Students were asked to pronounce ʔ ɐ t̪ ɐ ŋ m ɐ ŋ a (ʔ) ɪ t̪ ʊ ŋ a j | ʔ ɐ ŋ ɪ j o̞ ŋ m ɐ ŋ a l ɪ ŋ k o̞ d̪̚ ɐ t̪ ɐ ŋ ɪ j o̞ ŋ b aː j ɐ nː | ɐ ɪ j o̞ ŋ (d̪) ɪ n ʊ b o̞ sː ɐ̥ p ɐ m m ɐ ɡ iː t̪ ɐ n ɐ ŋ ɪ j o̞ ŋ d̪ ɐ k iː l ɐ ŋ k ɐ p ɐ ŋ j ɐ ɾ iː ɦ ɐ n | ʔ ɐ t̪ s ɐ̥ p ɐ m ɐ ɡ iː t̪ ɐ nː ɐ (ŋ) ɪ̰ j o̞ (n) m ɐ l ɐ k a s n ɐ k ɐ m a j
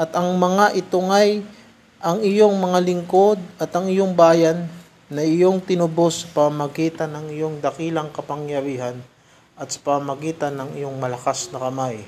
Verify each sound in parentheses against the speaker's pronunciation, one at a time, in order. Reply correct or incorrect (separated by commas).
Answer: correct, incorrect, correct, incorrect